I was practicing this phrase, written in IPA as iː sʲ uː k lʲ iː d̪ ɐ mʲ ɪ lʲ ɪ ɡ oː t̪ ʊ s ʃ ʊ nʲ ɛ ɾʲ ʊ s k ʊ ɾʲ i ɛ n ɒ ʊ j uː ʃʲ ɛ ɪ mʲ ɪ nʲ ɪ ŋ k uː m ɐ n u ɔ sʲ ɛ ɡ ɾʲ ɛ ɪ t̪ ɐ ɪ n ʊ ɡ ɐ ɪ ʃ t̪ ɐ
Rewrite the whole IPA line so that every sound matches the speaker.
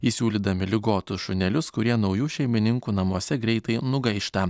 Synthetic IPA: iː sʲ uː lʲ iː d̪ ɐ mʲ ɪ lʲ ɪ ɡ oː t̪ ʊ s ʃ ʊ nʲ ɛ lʲ ʊ s k ʊ ɾʲ i ɛ n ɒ ʊ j uː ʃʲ ɛ ɪ mʲ ɪ nʲ ɪ ŋ k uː n ɐ m u ɔ sʲ ɛ ɡ ɾʲ ɛ ɪ t̪ ɐ ɪ n ʊ ɡ ɐ ɪ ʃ t̪ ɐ